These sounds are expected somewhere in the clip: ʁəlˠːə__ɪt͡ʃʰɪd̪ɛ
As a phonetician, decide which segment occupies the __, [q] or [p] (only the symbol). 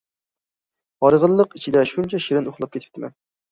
q